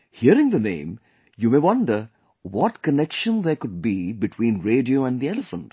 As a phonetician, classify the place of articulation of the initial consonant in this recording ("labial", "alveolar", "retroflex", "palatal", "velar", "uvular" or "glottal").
glottal